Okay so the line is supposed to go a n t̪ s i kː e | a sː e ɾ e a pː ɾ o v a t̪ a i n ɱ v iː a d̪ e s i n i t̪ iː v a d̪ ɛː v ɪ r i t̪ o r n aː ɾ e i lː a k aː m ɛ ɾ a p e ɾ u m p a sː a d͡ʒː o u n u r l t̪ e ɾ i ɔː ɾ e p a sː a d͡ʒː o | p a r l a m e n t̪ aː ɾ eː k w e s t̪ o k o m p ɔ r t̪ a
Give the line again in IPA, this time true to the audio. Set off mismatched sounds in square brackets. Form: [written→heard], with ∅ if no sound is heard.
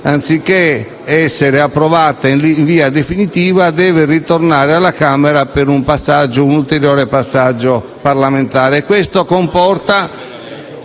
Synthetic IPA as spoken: a n t̪ s i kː e | [a→ɛ] sː e ɾ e a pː ɾ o v a t̪ a i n ɱ v iː a d̪ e [s→f] i n i t̪ iː v a d̪ ɛː v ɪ r i t̪ o r n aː ɾ e [i→a] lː a k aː m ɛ ɾ a p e ɾ u m p a sː a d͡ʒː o u n u [r→∅] l t̪ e ɾ [i→j] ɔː ɾ e p a sː a d͡ʒː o | p a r l a m e n t̪ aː ɾ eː k w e s t̪ o k o m p ɔ r t̪ a